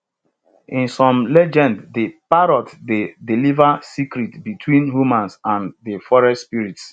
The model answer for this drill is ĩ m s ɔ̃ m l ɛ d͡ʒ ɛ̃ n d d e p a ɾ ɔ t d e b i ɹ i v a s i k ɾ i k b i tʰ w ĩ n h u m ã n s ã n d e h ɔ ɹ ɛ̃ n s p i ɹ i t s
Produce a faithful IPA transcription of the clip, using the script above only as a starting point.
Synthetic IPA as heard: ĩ n s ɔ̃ m l ɛ d͡ʒ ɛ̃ n d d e p a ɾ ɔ t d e d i l i v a s i k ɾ i t b i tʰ w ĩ n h u m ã n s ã n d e f ɔ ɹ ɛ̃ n s p i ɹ i t s